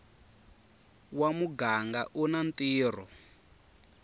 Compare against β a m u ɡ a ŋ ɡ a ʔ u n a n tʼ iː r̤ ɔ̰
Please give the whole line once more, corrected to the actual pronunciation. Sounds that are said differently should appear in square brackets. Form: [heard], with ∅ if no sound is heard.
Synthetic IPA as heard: [w] a m u ɡ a ŋ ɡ a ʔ u n a n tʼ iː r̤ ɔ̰